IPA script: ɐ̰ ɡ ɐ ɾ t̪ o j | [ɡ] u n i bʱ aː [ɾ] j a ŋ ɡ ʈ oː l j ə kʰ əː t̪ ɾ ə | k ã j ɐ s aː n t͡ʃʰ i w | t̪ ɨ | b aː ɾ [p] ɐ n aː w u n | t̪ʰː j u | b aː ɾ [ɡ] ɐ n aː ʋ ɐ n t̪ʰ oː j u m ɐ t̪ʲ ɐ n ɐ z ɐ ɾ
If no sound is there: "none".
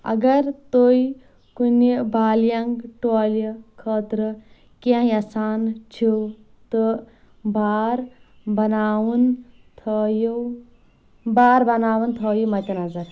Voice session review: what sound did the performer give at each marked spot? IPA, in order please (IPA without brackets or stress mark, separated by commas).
k, l, b, b